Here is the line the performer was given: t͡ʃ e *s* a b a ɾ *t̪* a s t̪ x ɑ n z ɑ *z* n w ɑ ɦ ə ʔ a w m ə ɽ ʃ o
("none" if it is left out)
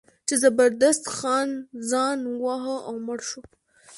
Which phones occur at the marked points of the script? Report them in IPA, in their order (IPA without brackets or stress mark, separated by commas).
z, d̪, none